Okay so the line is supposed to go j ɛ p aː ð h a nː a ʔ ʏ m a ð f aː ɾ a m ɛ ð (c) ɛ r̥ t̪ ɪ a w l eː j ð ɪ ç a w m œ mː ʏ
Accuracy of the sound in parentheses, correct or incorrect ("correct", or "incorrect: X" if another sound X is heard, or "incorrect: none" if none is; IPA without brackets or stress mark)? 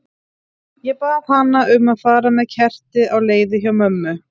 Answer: incorrect: cʰ